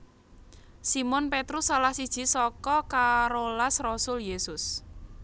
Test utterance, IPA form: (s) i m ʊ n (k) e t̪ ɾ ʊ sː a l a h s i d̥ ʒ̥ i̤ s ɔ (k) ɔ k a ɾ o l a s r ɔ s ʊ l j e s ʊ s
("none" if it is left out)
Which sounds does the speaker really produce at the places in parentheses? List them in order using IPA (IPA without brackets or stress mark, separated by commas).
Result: s, p, k